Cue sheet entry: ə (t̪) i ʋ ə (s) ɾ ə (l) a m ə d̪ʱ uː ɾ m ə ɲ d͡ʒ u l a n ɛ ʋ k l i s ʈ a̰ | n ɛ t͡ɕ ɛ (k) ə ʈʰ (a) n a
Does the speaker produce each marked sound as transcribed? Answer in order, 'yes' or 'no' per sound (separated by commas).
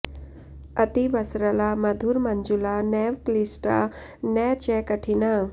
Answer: yes, yes, yes, yes, no